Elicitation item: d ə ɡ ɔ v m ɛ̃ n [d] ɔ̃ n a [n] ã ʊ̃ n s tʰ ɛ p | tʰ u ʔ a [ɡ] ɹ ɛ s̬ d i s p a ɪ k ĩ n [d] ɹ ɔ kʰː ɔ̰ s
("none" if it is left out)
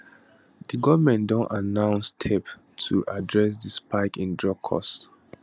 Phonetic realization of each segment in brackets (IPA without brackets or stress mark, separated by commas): d, n, d, d